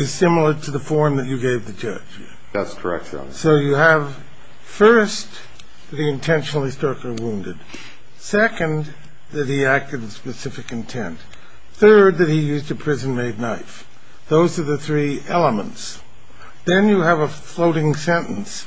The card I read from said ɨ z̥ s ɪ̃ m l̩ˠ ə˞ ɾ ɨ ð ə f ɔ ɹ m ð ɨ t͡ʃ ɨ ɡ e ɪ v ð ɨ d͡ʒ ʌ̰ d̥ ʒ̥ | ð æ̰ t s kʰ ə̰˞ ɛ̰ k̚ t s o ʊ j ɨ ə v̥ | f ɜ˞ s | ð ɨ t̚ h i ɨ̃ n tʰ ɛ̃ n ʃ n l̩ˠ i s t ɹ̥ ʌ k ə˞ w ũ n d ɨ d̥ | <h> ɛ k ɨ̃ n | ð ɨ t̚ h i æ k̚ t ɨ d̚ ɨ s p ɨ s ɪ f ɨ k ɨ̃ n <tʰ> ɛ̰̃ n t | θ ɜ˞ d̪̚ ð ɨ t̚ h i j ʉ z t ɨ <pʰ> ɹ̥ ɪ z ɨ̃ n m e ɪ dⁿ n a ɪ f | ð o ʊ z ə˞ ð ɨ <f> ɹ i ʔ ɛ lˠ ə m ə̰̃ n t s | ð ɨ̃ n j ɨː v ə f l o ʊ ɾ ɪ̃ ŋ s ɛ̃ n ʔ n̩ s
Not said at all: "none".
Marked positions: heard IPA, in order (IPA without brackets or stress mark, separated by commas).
s, tʰ, pʰ, θ